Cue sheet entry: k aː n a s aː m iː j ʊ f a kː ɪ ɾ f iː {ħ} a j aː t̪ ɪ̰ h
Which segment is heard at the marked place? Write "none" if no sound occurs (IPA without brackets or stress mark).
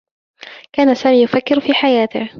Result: ħ